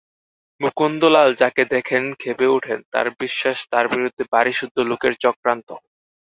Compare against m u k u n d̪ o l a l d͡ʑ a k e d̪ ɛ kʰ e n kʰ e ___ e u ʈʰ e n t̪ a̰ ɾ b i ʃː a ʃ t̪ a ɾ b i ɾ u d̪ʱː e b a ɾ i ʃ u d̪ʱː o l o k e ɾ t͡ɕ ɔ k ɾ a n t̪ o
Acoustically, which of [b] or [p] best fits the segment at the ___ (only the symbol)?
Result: b